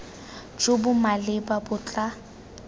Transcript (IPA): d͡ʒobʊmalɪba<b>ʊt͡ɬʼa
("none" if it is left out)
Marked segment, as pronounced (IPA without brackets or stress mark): b